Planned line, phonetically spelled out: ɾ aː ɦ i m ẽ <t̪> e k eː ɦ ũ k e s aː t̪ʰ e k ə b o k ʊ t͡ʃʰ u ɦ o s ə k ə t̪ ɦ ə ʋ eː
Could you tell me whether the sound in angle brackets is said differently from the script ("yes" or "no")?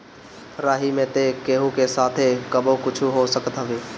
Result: no